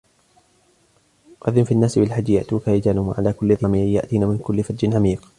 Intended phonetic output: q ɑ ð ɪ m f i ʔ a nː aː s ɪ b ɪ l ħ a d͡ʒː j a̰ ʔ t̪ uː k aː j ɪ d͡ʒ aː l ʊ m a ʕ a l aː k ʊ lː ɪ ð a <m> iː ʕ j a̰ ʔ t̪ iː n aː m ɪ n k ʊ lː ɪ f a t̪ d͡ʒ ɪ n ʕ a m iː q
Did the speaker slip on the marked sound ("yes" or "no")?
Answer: no